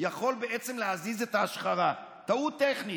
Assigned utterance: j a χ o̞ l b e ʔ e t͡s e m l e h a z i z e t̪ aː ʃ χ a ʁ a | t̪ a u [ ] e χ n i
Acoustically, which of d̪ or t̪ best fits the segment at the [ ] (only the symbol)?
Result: t̪